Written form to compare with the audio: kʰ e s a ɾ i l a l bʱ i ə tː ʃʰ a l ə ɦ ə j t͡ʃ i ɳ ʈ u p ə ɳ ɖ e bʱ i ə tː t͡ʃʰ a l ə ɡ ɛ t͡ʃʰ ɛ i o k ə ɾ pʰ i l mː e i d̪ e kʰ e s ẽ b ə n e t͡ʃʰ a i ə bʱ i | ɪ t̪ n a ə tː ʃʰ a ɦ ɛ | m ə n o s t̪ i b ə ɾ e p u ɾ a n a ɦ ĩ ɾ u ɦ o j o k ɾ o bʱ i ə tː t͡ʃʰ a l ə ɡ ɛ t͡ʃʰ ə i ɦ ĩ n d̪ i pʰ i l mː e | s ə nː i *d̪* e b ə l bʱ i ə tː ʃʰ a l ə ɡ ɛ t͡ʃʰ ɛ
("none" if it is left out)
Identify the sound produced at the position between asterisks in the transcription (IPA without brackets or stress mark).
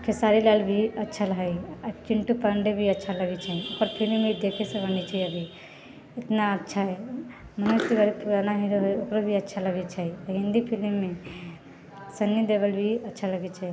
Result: d̪